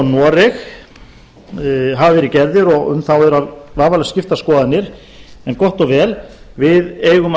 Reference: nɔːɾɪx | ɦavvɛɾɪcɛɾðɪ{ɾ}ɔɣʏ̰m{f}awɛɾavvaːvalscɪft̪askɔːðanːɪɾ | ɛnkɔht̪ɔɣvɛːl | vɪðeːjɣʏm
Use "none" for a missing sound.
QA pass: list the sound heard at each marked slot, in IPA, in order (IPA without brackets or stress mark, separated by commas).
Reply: ɾ, θ